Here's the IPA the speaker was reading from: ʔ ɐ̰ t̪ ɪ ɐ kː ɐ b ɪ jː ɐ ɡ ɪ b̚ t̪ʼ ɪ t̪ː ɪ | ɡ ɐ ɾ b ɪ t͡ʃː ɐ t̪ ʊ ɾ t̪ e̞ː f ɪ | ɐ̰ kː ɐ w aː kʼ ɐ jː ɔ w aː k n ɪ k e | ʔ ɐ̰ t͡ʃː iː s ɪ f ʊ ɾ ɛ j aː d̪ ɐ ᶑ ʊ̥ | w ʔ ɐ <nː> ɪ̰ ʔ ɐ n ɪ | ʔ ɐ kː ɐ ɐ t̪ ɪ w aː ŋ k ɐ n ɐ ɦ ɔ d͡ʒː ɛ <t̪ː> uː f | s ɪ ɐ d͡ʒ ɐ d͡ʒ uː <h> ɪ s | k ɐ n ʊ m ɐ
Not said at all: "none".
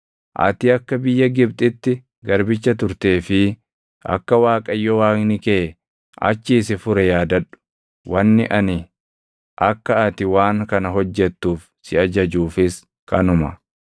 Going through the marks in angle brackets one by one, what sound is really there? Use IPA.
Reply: nː, t̪ː, f

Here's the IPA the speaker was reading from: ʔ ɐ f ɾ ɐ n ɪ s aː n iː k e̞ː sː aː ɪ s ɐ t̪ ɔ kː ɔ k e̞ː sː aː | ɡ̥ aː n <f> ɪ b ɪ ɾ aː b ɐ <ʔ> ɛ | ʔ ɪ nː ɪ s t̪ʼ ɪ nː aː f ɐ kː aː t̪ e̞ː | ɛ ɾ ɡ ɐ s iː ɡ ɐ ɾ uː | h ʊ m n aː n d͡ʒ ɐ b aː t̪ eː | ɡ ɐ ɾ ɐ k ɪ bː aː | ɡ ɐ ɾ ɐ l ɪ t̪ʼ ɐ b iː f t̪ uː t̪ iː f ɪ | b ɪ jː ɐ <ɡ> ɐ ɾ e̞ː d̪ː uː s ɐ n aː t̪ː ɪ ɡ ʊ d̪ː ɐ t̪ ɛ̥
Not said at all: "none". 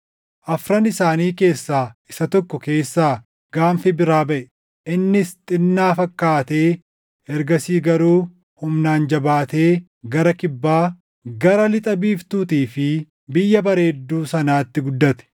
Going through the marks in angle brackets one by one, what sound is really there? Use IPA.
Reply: f, ʔ, b

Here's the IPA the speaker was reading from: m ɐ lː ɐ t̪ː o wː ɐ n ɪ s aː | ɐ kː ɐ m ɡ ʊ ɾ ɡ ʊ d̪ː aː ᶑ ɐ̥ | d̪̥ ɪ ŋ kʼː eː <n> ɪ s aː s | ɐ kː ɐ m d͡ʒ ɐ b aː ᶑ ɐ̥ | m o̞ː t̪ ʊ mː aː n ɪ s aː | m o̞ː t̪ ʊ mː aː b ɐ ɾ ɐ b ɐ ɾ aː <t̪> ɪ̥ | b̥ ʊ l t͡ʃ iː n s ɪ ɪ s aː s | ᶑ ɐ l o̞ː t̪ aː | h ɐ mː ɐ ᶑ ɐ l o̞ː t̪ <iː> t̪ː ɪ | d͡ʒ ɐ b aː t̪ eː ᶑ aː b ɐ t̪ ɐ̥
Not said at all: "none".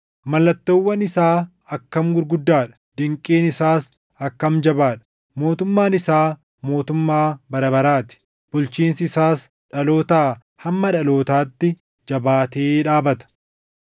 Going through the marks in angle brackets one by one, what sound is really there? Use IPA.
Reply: n, t̪, aː

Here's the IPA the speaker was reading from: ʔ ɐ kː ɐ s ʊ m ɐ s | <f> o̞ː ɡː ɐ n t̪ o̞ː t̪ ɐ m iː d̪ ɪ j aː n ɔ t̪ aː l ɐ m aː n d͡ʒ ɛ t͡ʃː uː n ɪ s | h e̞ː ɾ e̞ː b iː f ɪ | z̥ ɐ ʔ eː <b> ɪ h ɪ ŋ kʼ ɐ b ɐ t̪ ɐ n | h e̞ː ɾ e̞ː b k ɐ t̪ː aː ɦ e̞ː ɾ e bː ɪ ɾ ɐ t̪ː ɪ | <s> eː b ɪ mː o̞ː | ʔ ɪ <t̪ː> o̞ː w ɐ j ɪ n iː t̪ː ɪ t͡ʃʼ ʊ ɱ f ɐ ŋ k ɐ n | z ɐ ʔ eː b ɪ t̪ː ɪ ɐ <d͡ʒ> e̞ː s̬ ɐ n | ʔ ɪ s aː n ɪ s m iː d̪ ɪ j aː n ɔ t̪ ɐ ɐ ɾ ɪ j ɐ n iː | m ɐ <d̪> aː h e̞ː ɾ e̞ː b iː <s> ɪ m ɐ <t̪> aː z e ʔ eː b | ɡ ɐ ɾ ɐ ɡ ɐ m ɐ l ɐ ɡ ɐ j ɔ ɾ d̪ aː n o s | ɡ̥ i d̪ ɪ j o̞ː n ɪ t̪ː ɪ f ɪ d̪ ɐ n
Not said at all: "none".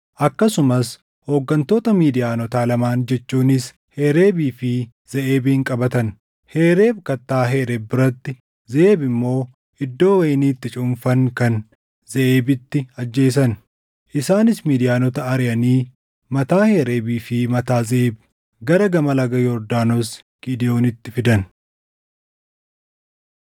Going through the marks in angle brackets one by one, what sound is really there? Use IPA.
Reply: h, b, z, d̪ː, d͡ʒː, t̪, f, t̪

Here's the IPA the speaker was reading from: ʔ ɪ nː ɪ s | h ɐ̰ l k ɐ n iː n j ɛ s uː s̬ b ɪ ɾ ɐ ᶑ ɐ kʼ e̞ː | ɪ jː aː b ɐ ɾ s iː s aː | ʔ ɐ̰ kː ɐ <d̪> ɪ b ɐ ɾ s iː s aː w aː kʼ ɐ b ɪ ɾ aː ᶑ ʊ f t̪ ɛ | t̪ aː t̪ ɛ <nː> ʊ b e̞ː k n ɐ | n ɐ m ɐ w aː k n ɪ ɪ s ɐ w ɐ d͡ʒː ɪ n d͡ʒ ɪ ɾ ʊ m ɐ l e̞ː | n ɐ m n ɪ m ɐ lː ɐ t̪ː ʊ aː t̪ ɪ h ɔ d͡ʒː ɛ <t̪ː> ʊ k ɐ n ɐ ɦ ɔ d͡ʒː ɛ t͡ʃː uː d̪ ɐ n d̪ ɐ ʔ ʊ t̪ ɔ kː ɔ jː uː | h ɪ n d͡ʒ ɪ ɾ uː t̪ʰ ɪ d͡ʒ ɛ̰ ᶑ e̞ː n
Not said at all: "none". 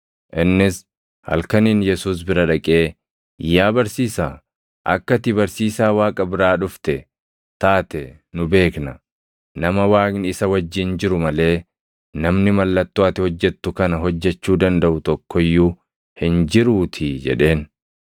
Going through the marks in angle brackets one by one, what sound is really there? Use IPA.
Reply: t̪, n, t̪ː

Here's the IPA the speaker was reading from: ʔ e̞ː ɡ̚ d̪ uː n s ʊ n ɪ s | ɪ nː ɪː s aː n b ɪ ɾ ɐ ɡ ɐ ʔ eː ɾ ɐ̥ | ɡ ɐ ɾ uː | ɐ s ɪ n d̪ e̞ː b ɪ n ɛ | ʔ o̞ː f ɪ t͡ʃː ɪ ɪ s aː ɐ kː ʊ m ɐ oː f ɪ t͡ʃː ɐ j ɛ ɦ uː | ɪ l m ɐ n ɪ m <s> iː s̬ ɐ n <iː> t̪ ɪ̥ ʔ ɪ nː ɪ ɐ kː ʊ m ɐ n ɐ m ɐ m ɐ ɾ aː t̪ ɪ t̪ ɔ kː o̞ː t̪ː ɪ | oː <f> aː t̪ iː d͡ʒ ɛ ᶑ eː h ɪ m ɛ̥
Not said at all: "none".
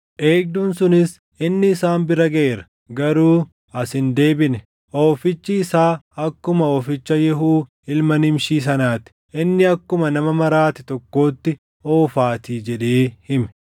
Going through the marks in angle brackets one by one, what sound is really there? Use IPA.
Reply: ʃ, aː, f

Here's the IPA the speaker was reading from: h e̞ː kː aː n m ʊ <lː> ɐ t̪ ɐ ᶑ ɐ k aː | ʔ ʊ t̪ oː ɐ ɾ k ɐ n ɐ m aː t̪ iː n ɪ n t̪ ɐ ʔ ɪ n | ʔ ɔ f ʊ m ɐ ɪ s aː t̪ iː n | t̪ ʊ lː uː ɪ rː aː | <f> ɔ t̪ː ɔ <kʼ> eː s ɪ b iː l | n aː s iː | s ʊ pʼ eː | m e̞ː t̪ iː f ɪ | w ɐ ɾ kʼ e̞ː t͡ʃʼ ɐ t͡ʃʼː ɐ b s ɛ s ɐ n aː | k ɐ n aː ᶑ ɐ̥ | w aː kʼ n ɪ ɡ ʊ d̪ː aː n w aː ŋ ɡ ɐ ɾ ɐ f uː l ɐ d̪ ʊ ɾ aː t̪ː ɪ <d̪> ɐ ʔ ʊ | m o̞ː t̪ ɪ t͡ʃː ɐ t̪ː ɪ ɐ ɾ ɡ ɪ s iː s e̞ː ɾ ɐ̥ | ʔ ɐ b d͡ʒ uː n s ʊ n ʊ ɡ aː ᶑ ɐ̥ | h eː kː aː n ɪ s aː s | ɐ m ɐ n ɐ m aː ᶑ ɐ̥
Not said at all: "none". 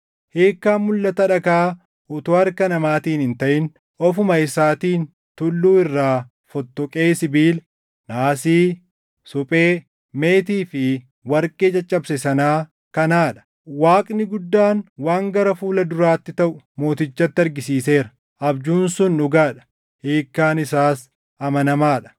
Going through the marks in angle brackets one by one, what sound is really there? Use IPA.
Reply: lː, f, kʼ, t̪

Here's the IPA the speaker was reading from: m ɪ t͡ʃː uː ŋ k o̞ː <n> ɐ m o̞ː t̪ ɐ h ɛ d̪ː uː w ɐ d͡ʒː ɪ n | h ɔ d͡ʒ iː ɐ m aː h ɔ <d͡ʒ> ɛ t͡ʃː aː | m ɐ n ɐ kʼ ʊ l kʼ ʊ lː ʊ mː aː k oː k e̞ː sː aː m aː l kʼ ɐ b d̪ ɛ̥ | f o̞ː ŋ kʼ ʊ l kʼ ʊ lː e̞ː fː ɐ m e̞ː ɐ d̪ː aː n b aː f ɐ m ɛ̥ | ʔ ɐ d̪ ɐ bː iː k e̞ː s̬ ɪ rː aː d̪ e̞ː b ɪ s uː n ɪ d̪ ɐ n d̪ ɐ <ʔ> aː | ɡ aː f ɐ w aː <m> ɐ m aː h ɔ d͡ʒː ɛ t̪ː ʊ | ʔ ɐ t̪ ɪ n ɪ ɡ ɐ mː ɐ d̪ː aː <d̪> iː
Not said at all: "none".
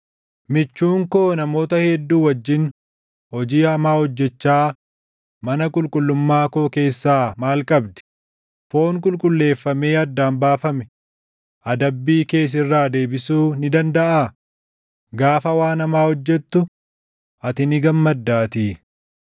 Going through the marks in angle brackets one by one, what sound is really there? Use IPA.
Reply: n, d͡ʒː, ʔ, n, t̪

